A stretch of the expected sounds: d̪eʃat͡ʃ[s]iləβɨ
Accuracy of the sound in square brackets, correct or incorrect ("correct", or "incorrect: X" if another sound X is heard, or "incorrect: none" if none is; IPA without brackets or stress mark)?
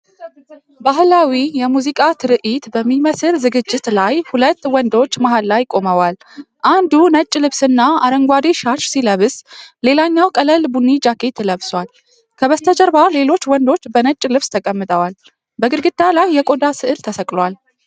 correct